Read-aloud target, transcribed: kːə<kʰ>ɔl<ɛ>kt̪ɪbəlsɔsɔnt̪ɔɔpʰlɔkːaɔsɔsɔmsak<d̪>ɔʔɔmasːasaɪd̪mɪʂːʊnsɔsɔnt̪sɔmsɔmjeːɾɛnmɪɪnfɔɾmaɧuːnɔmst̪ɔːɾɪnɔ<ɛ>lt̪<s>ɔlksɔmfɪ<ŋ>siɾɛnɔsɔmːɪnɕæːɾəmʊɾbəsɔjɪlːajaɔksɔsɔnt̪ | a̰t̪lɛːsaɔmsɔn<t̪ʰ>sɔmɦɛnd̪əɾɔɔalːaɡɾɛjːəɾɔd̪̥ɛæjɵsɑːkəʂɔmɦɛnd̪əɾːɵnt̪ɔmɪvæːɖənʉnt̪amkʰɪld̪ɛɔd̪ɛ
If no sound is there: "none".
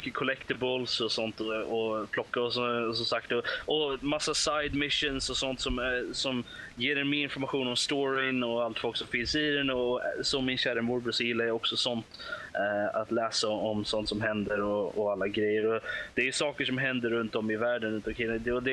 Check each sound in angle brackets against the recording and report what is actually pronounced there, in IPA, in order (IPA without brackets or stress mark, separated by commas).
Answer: kʰ, ɛ, t̪, a, f, n, t̪